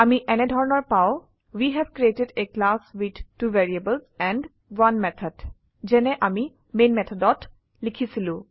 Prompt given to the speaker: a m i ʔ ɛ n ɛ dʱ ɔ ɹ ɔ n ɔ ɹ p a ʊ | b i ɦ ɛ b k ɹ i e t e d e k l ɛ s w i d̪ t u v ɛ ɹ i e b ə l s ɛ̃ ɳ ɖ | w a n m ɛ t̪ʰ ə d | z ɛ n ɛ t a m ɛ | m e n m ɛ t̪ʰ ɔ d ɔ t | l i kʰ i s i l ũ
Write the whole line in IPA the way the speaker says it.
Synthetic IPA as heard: a m i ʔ ɛ n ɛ dʱ ɔ ɹ ɔ n ɔ ɹ p a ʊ | w i ɦ ɛ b k ɹ i e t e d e k l a s w i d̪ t u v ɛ ɹ i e b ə l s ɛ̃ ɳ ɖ | w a n m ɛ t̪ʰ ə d | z ɛ n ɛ ʔ a m i | m e n m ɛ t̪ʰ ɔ d ɔ t | l i kʰ i s i l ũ